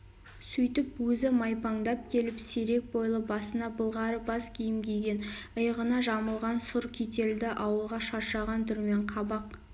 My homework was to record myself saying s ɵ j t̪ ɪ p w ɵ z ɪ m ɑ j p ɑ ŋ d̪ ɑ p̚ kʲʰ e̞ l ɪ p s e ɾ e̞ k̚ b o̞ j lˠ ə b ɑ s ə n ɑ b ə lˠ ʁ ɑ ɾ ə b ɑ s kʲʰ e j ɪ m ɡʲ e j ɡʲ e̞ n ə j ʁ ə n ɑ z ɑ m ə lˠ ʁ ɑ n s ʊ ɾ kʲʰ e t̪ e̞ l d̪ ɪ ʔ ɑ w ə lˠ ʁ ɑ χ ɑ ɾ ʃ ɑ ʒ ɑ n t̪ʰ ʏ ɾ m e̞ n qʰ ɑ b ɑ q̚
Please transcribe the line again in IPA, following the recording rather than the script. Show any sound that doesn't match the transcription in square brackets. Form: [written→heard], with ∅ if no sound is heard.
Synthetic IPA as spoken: s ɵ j t̪ ɪ p w ɵ z ɪ m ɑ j p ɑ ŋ d̪ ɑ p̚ kʲʰ e̞ l ɪ p s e ɾ e̞ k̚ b o̞ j lˠ ə b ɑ s ə n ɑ b ə lˠ ʁ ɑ ɾ ə b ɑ s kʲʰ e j ɪ m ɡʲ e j ɡʲ e̞ n ə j ʁ ə n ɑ [z→ʒ] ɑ m ə lˠ ʁ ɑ n s ʊ ɾ kʲʰ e t̪ e̞ l d̪ ɪ ʔ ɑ w ə lˠ ʁ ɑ [χ→ʃ] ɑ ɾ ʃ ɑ [ʒ→ʁ] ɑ n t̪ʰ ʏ ɾ m e̞ [n→ɴ] qʰ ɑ b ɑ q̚